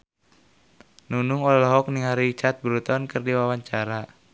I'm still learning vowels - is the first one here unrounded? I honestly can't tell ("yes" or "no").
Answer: no